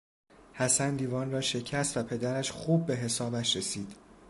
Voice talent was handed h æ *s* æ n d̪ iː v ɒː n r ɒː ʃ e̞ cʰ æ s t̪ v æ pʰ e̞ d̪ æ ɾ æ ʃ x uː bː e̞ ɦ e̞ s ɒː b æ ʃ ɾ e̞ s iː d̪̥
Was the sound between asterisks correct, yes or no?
yes